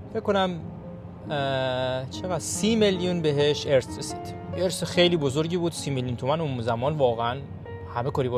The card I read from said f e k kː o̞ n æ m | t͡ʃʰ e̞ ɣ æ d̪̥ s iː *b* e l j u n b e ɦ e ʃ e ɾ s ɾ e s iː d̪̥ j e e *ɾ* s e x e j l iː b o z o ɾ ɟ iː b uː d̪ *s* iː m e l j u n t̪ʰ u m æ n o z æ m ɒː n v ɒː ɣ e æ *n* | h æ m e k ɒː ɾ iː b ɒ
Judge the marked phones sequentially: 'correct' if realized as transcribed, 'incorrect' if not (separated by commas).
incorrect, correct, correct, correct